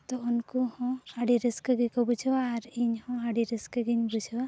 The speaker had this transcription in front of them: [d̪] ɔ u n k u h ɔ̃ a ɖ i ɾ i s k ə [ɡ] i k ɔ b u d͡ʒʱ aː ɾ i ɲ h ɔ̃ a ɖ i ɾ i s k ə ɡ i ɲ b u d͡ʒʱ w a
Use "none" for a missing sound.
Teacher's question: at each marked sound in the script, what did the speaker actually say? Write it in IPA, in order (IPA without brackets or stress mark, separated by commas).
t̪, ɡ